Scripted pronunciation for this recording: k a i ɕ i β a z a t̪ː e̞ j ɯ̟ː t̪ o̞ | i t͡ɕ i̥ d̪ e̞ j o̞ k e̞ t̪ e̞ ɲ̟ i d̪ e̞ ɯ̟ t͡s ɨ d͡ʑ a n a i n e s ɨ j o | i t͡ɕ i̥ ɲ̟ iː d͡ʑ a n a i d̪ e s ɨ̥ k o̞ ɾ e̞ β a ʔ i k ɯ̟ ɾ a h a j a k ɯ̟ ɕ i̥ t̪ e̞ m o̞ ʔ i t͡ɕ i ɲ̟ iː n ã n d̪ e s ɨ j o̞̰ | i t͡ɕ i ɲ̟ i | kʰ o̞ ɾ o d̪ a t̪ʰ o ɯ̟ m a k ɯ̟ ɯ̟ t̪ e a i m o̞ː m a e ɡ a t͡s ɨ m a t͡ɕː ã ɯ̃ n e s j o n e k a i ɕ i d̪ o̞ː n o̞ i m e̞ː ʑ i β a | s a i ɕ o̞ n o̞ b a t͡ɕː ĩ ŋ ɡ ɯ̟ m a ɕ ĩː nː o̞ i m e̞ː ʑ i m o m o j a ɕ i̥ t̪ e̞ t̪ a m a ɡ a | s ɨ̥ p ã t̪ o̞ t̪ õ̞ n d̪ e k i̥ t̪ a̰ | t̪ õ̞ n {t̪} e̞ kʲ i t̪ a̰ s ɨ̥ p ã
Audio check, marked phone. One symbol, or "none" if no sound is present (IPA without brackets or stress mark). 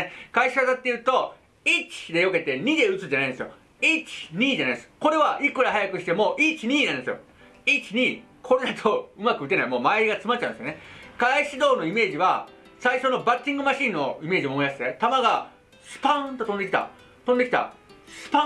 d̪